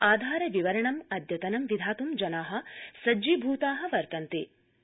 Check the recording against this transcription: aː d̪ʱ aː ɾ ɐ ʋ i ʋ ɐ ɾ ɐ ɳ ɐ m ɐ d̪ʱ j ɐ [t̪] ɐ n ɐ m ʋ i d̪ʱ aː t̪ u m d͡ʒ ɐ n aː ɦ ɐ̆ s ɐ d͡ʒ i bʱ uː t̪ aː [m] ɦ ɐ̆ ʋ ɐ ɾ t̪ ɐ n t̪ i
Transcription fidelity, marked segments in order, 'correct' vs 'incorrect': correct, incorrect

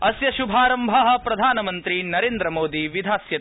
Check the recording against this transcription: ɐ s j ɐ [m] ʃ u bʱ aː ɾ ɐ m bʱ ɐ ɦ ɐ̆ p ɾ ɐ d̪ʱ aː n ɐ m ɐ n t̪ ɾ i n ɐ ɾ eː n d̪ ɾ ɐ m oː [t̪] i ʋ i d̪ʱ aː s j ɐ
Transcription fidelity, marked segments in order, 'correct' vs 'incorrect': incorrect, incorrect

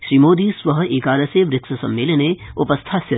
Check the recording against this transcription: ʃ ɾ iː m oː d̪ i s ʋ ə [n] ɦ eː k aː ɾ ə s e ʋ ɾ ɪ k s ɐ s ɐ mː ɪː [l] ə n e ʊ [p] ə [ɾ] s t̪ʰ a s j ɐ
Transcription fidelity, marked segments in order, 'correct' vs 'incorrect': incorrect, correct, correct, incorrect

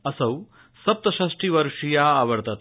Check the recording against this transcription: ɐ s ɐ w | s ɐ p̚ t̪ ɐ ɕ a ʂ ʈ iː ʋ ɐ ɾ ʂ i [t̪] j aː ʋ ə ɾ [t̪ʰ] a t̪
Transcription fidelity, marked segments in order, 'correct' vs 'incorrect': incorrect, incorrect

